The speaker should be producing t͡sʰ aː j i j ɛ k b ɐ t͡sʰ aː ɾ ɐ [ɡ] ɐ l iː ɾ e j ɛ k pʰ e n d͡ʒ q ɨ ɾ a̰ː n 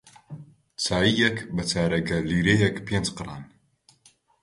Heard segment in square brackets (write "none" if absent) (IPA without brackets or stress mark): ɡ